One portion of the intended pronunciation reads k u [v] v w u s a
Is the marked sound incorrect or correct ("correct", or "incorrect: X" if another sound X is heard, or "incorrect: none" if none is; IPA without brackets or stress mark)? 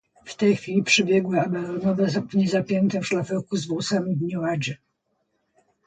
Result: incorrect: z